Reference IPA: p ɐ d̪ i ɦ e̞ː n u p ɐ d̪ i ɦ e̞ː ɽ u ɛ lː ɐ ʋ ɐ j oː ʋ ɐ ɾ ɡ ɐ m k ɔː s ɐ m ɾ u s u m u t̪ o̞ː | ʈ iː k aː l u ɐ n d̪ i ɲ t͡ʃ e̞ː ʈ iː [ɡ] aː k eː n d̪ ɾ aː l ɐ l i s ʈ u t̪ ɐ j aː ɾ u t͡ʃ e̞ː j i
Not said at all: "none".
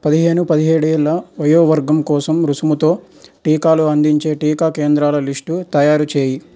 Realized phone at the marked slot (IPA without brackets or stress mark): k